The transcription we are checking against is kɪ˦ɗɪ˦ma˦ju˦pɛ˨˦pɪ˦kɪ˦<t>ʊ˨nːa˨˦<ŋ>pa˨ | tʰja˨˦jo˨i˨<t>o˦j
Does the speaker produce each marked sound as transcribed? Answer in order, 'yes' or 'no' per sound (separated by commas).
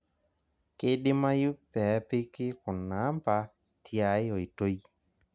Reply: no, no, yes